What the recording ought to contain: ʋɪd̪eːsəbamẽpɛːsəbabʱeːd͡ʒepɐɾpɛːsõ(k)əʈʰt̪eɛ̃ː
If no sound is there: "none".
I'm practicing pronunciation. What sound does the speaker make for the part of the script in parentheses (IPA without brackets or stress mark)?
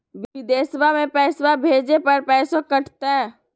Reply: k